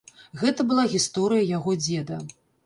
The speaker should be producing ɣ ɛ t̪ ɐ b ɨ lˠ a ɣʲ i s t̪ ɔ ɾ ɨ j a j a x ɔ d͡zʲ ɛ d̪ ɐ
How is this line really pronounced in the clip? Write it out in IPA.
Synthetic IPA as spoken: ɣ ɛ t̪ ɐ b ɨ lˠ a ɣʲ i s t̪ ɔ ɾ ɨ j ɐ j a ɣ ɔ d͡zʲ ɛ d̪ ɐ

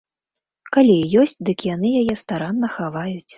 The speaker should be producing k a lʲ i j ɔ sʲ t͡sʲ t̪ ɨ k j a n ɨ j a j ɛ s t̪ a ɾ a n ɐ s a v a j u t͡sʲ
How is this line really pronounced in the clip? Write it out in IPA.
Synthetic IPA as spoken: k a lʲ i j ɔ sʲ t͡sʲ d̪ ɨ k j a n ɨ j a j ɛ s t̪ a ɾ a nː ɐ x a v a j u t͡sʲ

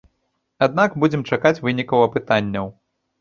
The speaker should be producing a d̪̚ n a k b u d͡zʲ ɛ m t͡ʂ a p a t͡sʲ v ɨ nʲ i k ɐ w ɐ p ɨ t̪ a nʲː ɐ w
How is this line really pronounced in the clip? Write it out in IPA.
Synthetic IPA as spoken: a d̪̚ n a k b u d͡zʲ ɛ m t͡ʂ a k a t͡sʲ v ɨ nʲ i k ɐ w ɐ p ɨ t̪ a nʲː ɐ w

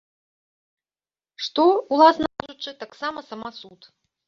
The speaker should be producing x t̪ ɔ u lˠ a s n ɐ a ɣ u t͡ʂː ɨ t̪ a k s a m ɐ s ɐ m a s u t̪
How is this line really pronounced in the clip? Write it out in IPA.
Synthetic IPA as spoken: ʂ t̪ ɔ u lˠ a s n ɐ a ʐ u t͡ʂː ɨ t̪ a k s a m ɐ s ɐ m a s u t̪

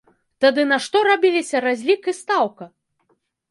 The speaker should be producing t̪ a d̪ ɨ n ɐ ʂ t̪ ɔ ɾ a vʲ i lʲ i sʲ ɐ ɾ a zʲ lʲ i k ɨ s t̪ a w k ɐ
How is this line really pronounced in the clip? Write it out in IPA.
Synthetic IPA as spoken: t̪ a d̪ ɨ n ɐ ʂ t̪ ɔ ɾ a bʲ i lʲ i sʲ ɐ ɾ a zʲ lʲ i k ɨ s t̪ a w k ɐ

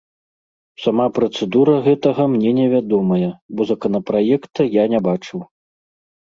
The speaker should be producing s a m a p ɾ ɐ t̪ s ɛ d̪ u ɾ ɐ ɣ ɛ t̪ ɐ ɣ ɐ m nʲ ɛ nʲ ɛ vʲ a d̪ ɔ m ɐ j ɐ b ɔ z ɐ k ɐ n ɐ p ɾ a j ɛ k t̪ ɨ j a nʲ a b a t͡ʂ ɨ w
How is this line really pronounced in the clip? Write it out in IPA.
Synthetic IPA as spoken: s a m a p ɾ ɐ t̪ s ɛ d̪ u ɾ ɐ ɣ ɛ t̪ ɐ ɣ ɐ m nʲ ɛ nʲ ɛ vʲ a d̪ ɔ m ɐ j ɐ b ɔ z ɐ k ɐ n ɐ p ɾ a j ɛ k t̪ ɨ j a nʲ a b a t͡ʂ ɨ w

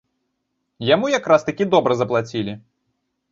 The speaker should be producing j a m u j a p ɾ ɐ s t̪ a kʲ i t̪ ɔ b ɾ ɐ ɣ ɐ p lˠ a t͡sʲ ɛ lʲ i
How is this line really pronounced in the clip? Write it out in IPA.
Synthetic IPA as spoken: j a m u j a k ɾ a s t̪ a kʲ i d̪ ɔ b ɾ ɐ z ɐ p lˠ a t͡sʲ i lʲ i

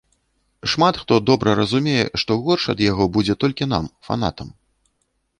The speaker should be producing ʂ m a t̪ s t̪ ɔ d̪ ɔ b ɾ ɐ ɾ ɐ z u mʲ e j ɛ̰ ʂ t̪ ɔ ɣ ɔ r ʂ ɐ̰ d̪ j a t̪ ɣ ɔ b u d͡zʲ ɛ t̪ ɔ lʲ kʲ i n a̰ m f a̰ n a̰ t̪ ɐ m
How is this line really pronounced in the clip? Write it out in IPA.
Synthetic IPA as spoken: ʂ m a t̪ x t̪ ɔ d̪ ɔ b ɾ ɐ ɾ ɐ z u mʲ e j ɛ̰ ʂ t̪ ɔ ɣ ɔ r ʂ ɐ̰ d̪ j a ɣ ɔ b u d͡zʲ ɛ t̪ ɔ lʲ kʲ i n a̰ m f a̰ n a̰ t̪ ɐ m

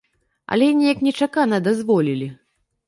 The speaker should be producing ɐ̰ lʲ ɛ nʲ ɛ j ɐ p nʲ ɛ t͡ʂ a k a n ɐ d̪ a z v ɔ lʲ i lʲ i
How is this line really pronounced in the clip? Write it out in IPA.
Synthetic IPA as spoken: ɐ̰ lʲ ɛ nʲ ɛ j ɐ k nʲ ɛ t͡ʂ a k a n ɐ d̪ a z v ɔ lʲ i lʲ i

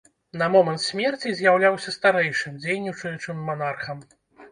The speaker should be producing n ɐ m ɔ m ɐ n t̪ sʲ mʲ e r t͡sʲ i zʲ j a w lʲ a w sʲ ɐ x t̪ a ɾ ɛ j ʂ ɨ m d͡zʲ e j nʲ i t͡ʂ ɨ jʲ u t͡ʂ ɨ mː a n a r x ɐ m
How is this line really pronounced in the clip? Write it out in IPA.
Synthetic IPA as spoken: n ɐ m ɔ m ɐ n t̪ sʲ mʲ ɛ r t͡sʲ i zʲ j a w lʲ a w sʲ ɐ s t̪ a ɾ ɛ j ʂ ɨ m d͡zʲ e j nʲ i t͡ʂ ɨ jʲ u t͡ʂ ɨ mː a n a r x ɐ m

